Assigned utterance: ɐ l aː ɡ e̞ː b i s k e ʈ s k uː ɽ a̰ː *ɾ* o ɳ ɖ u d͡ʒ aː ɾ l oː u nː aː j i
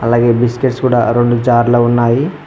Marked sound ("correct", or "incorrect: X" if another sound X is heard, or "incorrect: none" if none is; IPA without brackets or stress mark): correct